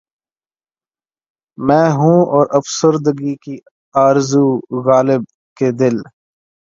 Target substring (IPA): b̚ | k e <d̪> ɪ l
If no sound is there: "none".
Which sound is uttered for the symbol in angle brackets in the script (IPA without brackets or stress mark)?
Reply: d̪